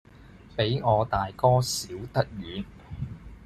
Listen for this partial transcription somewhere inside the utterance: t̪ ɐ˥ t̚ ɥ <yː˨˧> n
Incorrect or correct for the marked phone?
correct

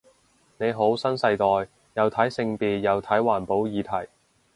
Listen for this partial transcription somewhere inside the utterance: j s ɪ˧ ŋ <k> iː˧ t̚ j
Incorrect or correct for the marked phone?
incorrect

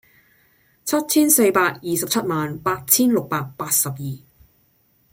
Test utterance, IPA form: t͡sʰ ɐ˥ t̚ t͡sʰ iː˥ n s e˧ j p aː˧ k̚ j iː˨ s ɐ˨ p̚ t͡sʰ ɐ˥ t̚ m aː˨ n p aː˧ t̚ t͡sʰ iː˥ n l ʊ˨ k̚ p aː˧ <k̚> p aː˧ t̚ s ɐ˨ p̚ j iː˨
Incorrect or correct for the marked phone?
correct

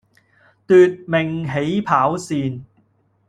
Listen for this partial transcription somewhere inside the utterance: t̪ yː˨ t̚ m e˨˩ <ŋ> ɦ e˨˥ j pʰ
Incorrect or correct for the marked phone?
correct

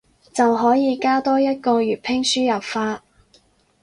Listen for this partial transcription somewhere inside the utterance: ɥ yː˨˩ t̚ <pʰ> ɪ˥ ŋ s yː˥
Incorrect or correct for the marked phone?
correct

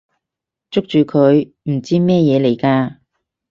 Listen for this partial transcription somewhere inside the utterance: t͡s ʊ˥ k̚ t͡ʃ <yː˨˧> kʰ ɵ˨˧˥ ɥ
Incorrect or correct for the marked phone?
correct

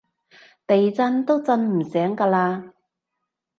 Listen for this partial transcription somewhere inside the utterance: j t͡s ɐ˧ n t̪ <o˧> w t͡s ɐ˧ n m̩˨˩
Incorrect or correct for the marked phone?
incorrect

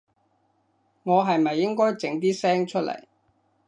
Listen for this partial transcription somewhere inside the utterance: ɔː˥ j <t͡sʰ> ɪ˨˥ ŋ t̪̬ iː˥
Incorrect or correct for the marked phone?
incorrect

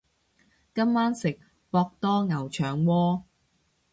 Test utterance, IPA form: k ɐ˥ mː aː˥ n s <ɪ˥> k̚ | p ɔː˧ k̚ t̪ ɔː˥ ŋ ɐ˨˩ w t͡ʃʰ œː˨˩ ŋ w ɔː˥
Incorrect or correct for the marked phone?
incorrect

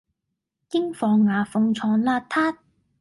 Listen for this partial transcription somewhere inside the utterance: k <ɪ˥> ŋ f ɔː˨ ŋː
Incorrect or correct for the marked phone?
correct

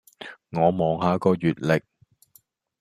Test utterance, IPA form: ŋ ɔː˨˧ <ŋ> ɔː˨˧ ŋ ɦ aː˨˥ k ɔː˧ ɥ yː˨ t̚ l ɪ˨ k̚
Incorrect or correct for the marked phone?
incorrect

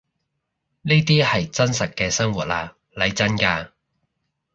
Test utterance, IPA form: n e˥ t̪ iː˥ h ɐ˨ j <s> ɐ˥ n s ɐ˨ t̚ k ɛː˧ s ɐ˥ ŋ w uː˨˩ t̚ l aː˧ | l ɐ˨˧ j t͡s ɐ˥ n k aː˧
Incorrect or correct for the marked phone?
incorrect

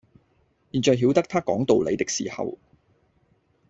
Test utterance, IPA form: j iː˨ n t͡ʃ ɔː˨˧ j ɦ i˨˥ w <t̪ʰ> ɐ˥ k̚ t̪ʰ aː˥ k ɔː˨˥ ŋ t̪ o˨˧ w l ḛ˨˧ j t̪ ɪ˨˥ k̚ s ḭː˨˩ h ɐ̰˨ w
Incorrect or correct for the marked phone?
incorrect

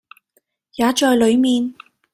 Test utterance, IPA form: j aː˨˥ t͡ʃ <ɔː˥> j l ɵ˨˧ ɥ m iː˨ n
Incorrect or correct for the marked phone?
incorrect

